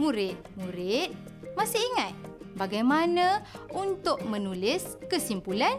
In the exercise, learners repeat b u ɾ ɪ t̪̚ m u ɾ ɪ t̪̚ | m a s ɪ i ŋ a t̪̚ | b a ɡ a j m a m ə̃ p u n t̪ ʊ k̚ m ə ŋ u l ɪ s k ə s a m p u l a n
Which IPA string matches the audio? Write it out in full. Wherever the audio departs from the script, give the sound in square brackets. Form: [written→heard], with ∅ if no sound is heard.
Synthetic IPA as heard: [b→m] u ɾ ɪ t̪̚ m u ɾ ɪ t̪̚ | m a s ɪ i ŋ a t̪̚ | b a ɡ a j m a [m→n] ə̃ [p→∅] u n t̪ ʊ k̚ m ə [ŋ→n] u l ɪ s k ə s [a→i] m p u l a n